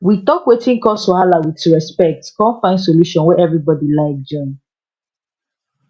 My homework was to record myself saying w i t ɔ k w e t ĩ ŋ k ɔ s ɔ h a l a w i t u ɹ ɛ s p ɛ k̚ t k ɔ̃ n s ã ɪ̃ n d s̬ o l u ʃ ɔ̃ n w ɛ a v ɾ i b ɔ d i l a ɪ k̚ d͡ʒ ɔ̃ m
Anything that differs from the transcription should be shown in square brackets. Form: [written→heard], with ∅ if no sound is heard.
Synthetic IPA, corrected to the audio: w i t ɔ k w e t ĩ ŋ k ɔ s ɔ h a l a w i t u ɹ ɛ s p ɛ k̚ t k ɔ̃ n [s→f] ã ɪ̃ n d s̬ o l u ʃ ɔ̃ n w ɛ [a→ɛ] v [ɾ→ɹ] i b ɔ d i l a ɪ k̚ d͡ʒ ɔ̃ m